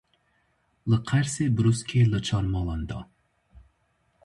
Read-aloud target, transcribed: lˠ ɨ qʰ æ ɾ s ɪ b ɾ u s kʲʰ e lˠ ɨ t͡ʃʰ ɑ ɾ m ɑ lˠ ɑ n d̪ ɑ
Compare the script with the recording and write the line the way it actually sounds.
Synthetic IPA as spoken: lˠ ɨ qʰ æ ɾ s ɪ b ɾ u s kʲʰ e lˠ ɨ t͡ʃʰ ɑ ɾ m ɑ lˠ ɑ n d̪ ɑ